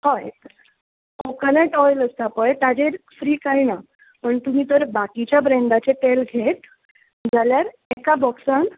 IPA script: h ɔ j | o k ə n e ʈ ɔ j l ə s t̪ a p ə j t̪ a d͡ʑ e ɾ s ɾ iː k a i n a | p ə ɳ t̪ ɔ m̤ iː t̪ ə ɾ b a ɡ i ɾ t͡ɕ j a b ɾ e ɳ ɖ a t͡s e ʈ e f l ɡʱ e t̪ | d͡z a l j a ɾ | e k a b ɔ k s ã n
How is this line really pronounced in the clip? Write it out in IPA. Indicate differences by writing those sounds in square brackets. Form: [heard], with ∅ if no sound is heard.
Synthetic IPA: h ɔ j | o k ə n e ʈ ɔ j l ə s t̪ a p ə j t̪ a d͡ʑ e ɾ [f] ɾ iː k a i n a | p ə ɳ t̪ [u] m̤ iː t̪ ə ɾ b a [k] i [∅] t͡ɕ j a b ɾ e ɳ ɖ a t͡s e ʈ e [∅] l ɡʱ e t̪ | d͡z a l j a ɾ | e k a b ɔ k s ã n